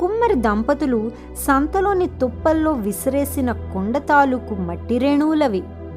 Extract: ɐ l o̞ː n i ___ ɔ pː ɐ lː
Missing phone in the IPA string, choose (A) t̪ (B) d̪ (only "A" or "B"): A